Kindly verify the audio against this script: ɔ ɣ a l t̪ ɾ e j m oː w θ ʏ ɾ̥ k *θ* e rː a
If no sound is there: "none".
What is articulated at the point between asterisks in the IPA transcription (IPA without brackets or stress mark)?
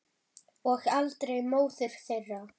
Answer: θ